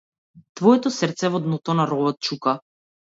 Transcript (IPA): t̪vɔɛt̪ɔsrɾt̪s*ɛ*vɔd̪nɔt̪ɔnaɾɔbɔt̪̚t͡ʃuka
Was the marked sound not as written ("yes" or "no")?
no